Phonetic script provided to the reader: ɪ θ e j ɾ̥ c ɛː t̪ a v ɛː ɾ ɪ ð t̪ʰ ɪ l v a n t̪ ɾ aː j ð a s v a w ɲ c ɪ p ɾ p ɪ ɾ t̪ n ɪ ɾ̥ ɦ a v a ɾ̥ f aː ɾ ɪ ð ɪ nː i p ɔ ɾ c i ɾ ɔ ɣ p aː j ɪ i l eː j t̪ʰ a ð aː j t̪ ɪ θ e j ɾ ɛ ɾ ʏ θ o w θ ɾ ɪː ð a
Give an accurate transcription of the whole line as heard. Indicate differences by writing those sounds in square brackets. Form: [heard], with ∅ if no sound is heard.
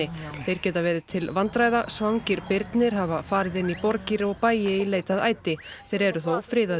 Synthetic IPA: ɪ θ e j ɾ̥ c ɛː t̪ a v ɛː ɾ ɪ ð t̪ʰ ɪ l v a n t̪ ɾ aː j ð a s v a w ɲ c ɪ [∅] ɾ p ɪ ɾ t̪ n ɪ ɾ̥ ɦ a v a [∅] f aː ɾ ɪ ð ɪ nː i p ɔ ɾ c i ɾ ɔ ɣ p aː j ɪ i l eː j [t̪] a ð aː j t̪ ɪ θ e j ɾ ɛ ɾ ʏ θ o w [f] ɾ ɪː ð a